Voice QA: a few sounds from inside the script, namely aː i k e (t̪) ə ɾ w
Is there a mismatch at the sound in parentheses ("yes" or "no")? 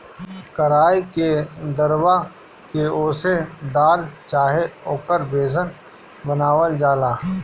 yes